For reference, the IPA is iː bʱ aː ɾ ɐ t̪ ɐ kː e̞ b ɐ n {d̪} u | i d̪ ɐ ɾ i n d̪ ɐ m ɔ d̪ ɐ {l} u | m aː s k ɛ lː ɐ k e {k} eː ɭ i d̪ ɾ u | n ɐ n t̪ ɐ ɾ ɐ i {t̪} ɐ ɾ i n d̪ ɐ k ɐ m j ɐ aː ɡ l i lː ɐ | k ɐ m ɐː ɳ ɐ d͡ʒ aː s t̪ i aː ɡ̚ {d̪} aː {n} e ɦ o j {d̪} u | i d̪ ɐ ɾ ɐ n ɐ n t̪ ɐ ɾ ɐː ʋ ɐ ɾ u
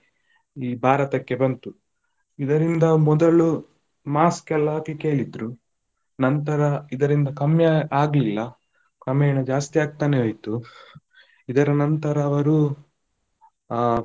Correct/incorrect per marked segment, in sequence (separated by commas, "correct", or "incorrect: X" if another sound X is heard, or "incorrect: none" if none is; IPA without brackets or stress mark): incorrect: t̪, incorrect: ɭ, correct, incorrect: d̪, incorrect: t̪, correct, incorrect: t̪